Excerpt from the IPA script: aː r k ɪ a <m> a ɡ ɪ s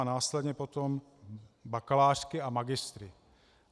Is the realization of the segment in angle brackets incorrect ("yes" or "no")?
no